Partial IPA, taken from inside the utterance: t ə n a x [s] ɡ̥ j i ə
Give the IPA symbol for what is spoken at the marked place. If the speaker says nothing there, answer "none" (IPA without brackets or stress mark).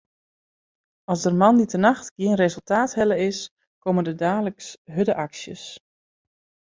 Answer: t